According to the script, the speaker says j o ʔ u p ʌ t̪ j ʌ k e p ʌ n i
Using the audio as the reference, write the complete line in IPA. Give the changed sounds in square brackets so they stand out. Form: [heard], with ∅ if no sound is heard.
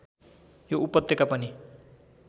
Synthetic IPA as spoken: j o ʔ u p ʌ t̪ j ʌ k [a] p ʌ n i